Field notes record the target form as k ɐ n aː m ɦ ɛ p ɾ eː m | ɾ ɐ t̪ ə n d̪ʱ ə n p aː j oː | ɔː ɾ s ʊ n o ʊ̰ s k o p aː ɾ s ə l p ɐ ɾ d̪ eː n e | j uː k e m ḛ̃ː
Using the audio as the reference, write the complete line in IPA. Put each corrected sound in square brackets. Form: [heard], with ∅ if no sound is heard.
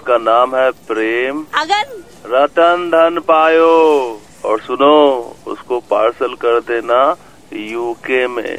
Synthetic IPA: k [a] n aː m ɦ ɛ p ɾ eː m | ɾ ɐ t̪ ə n d̪ʱ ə n p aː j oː | ɔː ɾ s ʊ n o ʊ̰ s k o p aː ɾ s ə l [k] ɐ ɾ d̪ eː n [a] | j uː k e m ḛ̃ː